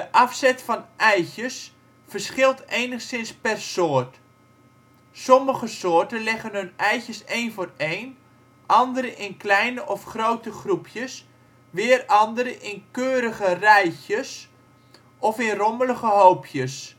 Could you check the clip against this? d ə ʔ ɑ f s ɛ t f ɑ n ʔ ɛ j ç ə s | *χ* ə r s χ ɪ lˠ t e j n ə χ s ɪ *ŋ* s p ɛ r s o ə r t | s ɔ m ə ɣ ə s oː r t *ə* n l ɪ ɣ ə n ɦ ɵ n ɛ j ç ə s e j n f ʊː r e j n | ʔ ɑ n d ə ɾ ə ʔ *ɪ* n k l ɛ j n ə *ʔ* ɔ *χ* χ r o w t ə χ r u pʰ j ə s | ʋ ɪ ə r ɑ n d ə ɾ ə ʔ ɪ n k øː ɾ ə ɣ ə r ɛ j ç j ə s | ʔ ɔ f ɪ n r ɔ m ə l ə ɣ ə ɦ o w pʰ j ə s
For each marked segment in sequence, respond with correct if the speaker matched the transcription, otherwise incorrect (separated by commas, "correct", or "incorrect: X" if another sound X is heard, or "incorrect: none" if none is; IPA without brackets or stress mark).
incorrect: f, incorrect: n, correct, correct, correct, incorrect: f